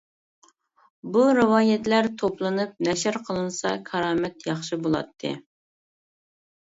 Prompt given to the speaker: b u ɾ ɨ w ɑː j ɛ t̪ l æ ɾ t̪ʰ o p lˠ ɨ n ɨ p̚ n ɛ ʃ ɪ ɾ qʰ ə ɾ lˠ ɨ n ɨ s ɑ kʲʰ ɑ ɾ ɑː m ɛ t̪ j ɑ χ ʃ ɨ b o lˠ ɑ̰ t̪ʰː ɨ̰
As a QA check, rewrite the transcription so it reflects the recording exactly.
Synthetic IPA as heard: b u ɾ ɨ w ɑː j ɛ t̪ l æ ɾ t̪ʰ o p lˠ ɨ n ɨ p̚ n ɛ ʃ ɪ ɾ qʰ ə lˠ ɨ n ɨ s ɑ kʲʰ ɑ ɾ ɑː m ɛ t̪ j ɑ χ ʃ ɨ b o lˠ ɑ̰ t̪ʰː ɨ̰

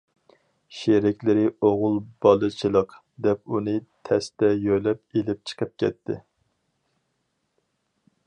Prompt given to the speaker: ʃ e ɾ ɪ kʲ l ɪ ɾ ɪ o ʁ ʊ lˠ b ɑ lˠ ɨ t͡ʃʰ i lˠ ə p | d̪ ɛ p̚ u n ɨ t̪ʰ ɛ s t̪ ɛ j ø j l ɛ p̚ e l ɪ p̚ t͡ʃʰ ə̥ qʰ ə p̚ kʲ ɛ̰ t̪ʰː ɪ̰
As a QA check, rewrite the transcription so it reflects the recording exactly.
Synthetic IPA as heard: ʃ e ɾ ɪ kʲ l ɪ ɾ ɪ o ʁ ʊ lˠ b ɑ lˠ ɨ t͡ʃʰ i lˠ ə q | d̪ ɛ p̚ u n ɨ t̪ʰ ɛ s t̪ ɛ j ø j l ɛ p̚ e l ɪ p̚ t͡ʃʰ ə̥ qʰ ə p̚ kʲ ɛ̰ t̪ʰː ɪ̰

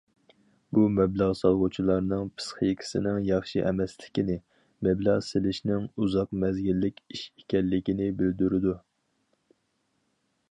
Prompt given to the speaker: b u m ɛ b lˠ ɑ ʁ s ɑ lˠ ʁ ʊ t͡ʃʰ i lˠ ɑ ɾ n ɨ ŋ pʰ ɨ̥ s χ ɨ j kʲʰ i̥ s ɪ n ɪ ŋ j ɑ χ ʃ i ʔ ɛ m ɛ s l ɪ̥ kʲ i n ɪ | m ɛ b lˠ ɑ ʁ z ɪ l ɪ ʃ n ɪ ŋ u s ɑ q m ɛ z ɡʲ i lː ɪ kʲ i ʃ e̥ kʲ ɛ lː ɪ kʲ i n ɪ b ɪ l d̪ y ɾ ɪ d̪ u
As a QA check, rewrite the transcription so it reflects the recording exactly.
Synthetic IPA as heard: b u m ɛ b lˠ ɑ ʁ s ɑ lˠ ʁ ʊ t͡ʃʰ i lˠ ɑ ɾ n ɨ ŋ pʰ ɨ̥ s χ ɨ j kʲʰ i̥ s ɪ n ɪ ŋ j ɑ χ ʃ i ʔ ɛ m ɛ s l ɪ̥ kʲ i n ɪ | m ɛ b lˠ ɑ ʁ s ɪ l ɪ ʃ n ɪ ŋ u z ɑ q m ɛ z ɡʲ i lː ɪ kʲ i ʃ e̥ kʲ ɛ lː ɪ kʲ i n ɪ b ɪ l d̪ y ɾ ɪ d̪ u

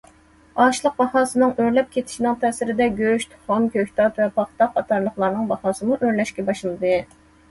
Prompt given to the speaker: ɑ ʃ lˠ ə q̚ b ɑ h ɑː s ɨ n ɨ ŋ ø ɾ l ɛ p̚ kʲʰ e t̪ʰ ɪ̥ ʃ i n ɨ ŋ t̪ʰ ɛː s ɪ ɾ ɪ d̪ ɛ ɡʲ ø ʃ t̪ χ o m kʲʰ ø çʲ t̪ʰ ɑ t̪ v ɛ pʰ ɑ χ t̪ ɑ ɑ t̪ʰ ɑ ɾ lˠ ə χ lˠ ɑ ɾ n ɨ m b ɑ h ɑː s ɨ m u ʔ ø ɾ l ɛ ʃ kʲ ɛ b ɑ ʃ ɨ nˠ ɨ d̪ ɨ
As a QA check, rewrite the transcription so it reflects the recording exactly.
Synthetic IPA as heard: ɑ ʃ lˠ ə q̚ b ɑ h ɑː s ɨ n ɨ ŋ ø ɾ l ɛ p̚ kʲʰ e t̪ʰ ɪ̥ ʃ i n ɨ ŋ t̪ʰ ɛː s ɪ ɾ ɪ d̪ ɛ ɡʲ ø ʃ t̪ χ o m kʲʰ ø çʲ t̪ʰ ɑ t̪ v ɛ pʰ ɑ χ t̪ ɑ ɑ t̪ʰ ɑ ɾ lˠ ə χ lˠ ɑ ɾ n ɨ ŋ b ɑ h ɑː s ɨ m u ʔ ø ɾ l ɛ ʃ kʲ ɛ b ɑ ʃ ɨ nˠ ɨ d̪ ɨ

